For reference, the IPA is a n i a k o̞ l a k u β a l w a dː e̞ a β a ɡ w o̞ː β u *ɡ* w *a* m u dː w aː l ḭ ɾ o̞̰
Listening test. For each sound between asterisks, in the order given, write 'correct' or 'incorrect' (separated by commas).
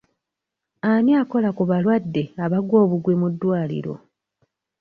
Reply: correct, incorrect